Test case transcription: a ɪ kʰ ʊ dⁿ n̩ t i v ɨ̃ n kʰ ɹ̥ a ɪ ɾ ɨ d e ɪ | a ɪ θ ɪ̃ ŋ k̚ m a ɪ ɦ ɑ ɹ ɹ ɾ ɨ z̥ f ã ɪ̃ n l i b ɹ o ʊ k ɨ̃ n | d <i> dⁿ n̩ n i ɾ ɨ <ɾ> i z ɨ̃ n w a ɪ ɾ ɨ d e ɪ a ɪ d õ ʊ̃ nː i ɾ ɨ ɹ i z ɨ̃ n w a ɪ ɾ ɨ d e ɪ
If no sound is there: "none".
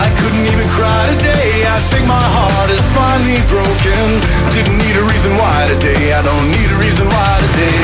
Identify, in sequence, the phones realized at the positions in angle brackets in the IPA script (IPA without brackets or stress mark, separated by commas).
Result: ɪ, ɹ